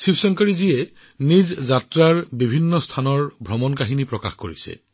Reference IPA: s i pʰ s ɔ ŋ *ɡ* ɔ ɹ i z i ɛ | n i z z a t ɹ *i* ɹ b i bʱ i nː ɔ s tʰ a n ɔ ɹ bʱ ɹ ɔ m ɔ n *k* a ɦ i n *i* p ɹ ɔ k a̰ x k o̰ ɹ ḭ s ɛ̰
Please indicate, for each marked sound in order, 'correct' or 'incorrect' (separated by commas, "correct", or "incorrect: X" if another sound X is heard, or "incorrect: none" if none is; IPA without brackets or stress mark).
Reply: incorrect: k, incorrect: a, correct, correct